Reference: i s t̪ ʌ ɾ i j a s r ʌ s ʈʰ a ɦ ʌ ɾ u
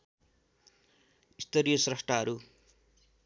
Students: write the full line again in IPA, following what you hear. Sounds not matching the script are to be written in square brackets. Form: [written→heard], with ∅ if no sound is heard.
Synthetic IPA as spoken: i s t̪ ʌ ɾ i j [a→ʌ] s r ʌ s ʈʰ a ɦ ʌ ɾ u